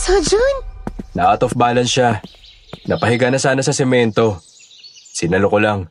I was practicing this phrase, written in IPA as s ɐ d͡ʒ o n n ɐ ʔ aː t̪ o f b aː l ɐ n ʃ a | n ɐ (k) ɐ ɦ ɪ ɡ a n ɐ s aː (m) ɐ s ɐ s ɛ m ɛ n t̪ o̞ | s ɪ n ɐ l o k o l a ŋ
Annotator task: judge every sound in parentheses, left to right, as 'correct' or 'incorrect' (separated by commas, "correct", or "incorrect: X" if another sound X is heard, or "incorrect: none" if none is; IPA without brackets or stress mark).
incorrect: p, incorrect: n